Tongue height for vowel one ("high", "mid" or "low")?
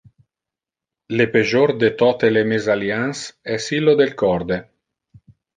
mid